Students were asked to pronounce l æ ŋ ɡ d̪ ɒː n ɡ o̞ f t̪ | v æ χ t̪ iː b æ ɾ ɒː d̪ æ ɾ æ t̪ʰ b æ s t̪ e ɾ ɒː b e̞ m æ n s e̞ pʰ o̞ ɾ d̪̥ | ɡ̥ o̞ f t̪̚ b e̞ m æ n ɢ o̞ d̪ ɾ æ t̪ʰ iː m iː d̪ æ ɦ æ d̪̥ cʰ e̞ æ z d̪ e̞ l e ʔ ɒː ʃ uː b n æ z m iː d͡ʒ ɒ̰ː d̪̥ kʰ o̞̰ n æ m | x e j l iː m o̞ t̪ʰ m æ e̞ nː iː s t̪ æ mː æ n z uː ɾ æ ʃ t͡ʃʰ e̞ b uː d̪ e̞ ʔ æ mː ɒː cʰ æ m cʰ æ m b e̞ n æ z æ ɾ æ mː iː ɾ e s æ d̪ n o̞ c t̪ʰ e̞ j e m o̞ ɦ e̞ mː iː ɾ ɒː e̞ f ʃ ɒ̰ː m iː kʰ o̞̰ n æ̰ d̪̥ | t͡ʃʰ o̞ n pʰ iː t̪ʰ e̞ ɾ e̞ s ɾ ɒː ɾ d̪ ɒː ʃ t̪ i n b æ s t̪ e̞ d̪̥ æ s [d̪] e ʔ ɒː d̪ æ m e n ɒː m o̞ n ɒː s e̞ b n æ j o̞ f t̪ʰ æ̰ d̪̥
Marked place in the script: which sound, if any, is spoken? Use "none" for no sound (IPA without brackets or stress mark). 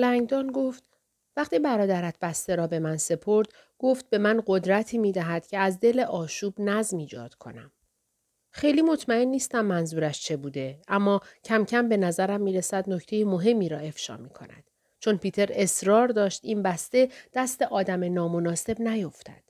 t̪